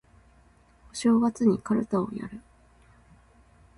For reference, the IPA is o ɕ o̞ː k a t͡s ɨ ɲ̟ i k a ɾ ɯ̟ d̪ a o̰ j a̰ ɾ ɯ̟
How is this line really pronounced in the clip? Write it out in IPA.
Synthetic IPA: o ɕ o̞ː ɡ a t͡s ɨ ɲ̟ i k a ɾ ɯ̟ t̪ a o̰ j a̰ ɾ ɯ̟